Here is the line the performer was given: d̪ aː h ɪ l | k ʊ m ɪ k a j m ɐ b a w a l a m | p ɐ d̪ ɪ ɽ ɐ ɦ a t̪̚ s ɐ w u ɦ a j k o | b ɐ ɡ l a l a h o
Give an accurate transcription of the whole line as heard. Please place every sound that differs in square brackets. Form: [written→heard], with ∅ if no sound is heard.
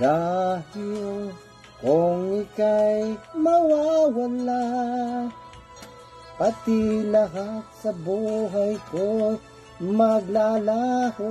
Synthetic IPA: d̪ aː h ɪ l | k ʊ [m→ŋ] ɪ k a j m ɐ [b→w] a w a l a [m→∅] | p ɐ [d̪→t̪] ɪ [ɽ→l] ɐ ɦ a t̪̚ s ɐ [w→b] u ɦ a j k o | [b→m] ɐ ɡ l a l a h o